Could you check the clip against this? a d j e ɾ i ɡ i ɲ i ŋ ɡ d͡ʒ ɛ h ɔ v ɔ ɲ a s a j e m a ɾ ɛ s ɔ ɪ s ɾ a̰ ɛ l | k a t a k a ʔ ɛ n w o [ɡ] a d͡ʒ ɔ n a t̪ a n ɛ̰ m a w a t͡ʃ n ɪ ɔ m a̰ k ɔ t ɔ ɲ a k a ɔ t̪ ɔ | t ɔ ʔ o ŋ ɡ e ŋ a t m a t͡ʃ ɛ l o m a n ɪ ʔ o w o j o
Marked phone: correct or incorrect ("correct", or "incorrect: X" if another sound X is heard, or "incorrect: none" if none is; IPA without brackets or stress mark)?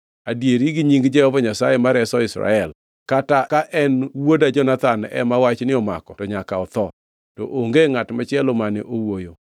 incorrect: d